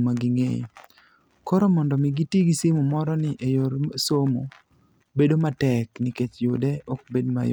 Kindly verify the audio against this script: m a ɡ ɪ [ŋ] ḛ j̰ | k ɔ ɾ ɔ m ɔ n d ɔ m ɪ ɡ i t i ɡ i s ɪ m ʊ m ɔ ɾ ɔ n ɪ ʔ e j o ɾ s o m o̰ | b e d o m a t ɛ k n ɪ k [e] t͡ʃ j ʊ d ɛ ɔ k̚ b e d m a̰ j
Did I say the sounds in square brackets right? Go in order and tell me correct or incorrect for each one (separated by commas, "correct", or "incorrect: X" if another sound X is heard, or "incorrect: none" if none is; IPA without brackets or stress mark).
correct, correct